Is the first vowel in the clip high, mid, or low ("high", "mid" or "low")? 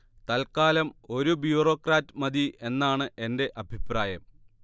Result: low